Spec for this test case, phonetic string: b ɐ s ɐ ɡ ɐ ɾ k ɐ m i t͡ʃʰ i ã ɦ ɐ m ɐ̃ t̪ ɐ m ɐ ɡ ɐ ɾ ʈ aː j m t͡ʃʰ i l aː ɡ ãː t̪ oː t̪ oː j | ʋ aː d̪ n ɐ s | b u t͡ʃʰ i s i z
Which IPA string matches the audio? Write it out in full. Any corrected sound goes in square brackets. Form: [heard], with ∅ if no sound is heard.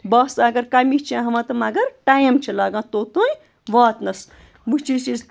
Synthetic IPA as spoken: b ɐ s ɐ ɡ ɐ ɾ k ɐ m i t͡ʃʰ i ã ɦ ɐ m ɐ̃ t̪ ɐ m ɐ ɡ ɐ ɾ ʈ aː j m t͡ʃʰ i l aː ɡ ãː t̪ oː t̪ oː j | ʋ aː [t̪] n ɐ s | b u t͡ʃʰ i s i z